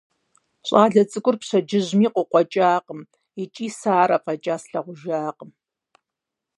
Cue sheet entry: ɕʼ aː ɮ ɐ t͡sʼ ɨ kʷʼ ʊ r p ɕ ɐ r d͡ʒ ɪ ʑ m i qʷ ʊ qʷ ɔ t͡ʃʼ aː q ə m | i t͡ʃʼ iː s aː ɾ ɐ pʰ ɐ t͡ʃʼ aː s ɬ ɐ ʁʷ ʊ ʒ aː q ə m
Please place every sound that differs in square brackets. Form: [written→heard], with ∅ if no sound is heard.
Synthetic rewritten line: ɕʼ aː ɮ ɐ t͡sʼ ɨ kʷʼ ʊ r p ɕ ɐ [r→∅] d͡ʒ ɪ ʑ m [i→iː] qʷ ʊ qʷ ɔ t͡ʃʼ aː q ə m | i t͡ʃʼ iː s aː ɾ ɐ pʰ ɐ t͡ʃʼ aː s ɬ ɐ ʁʷ ʊ ʒ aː q ə m